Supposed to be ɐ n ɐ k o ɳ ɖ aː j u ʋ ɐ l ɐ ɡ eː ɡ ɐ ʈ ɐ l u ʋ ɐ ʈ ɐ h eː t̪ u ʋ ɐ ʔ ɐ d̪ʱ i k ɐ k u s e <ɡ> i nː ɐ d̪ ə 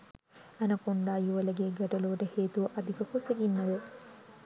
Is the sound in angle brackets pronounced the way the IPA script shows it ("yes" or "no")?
yes